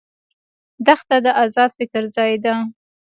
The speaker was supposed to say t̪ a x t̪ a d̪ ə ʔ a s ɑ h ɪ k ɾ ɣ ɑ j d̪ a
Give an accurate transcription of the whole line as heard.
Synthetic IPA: d̪ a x t̪ a d̪ ə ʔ a z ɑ f ɪ k ɾ z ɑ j d̪ a